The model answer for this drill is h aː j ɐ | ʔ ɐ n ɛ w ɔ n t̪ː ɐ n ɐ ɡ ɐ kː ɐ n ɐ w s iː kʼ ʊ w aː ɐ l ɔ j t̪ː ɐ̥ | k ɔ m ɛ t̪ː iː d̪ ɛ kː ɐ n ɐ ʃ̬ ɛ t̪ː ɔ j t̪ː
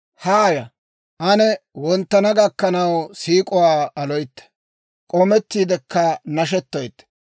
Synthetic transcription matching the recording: h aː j ɐ | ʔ ɐ n ɛ w ɔ n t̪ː ɐ n ɐ ɡ ɐ kː ɐ n ɐ w s iː kʼ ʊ w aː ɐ l ɔ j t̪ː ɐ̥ | kʼ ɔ m ɛ t̪ː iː d̪ ɛ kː ɐ n ɐ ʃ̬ ɛ t̪ː ɔ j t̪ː